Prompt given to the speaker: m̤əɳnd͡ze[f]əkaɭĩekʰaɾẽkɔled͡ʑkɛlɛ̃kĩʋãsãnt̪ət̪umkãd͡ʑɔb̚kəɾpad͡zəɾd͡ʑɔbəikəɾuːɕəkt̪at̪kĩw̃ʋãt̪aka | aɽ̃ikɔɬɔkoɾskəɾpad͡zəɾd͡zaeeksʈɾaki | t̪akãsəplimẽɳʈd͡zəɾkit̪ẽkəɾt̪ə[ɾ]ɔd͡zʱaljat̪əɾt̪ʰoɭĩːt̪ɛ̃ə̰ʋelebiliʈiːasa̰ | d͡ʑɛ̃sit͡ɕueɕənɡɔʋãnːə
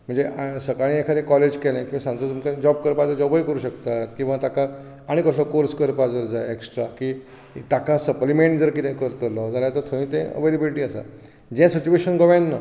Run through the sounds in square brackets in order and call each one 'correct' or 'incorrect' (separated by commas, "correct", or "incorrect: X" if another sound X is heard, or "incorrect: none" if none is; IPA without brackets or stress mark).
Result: incorrect: s, incorrect: l